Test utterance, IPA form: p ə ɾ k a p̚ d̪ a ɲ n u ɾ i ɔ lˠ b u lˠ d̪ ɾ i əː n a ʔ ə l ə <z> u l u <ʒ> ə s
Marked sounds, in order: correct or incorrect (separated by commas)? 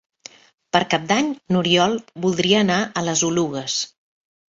correct, incorrect